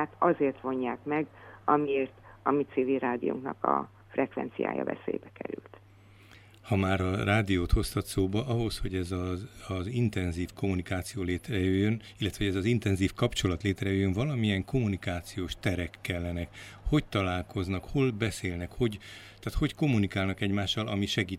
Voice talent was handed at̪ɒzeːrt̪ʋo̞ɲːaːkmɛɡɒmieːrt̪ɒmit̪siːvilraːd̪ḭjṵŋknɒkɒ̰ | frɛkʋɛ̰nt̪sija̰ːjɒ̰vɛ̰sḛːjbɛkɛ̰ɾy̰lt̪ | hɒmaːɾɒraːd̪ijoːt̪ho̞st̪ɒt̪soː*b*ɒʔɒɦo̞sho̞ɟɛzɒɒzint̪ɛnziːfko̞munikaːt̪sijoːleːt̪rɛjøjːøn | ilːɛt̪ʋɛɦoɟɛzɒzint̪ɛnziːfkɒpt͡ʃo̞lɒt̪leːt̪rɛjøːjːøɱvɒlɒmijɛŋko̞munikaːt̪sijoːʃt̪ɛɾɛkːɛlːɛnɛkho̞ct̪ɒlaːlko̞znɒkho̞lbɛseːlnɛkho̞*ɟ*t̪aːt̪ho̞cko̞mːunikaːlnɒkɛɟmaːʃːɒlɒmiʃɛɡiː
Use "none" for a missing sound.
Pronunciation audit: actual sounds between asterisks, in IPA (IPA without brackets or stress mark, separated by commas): b, ɟ